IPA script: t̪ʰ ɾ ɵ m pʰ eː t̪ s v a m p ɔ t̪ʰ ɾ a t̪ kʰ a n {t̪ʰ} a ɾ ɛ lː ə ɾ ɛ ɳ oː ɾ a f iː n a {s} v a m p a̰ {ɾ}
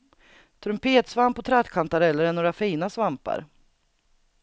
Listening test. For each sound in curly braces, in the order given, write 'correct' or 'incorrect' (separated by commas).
incorrect, correct, correct